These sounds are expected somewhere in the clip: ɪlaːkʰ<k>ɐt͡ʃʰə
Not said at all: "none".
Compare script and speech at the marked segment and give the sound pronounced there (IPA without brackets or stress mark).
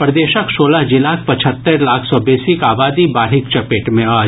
p